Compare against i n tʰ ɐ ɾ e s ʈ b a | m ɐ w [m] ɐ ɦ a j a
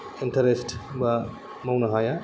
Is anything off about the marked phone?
yes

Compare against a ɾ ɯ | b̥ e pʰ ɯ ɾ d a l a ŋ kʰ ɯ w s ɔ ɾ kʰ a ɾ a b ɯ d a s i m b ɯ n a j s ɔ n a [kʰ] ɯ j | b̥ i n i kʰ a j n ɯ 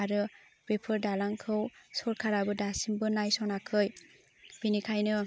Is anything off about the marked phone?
no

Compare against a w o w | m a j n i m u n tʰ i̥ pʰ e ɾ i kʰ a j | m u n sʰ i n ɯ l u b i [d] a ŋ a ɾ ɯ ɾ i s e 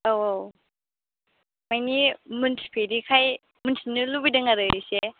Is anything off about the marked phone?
no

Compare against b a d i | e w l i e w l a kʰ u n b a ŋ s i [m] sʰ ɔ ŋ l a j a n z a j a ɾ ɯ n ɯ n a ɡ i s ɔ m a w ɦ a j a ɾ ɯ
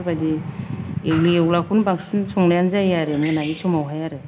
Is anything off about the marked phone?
yes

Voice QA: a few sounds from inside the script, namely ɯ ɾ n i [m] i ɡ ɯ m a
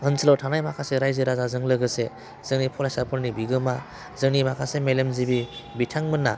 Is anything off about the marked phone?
yes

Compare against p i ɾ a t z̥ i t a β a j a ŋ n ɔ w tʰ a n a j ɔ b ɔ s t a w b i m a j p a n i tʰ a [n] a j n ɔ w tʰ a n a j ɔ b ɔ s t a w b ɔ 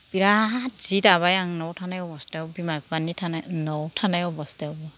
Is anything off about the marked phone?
no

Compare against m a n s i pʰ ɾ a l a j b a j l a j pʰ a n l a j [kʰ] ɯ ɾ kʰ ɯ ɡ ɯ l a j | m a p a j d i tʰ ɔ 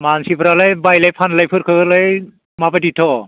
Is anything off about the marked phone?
yes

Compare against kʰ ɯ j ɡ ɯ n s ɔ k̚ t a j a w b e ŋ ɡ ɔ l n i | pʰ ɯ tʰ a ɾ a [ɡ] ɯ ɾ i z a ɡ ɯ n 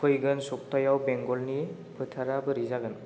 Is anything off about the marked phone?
yes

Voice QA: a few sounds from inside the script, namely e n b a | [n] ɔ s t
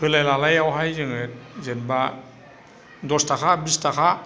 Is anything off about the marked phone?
yes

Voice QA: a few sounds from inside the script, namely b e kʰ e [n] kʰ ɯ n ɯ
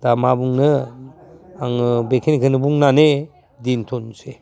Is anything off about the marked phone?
no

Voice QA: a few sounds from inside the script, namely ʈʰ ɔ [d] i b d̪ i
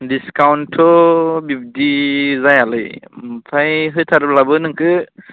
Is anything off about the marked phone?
yes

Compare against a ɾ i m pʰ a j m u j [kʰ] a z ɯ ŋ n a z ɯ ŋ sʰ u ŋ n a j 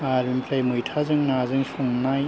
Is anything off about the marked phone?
yes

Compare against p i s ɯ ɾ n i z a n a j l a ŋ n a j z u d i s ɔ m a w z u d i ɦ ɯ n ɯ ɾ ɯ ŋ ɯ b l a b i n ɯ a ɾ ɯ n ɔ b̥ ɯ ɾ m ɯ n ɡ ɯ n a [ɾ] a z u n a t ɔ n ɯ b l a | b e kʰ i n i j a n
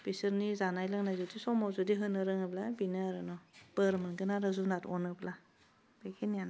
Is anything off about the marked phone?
no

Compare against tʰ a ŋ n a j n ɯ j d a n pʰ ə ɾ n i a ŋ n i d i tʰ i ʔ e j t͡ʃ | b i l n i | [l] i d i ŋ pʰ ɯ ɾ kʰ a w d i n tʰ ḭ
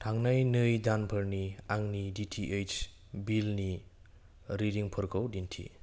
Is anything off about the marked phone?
yes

